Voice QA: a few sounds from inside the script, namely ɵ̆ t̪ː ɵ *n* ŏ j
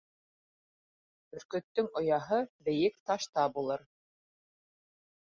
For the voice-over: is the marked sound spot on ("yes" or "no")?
no